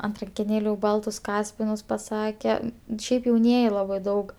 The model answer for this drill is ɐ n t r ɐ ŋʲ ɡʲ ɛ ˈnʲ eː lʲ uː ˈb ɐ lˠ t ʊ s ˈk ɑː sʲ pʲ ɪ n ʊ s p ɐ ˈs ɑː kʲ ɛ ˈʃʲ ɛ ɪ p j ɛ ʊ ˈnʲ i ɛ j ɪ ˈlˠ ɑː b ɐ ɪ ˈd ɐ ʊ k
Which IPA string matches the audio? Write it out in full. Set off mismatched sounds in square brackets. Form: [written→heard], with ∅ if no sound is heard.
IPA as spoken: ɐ n t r ɐ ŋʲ [ɡʲ→kʲ] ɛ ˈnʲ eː lʲ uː ˈb ɐ lˠ t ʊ s ˈk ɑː sʲ pʲ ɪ n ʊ s p ɐ ˈs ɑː kʲ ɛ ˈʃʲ ɛ ɪ p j ɛ ʊ ˈnʲ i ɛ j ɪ ˈlˠ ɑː b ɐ ɪ ˈd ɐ ʊ k